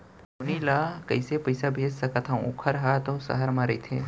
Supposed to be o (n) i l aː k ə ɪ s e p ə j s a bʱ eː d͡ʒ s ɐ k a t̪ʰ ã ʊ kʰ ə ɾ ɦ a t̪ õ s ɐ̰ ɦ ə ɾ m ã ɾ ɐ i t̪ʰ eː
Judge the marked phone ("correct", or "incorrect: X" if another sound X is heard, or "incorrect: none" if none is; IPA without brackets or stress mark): correct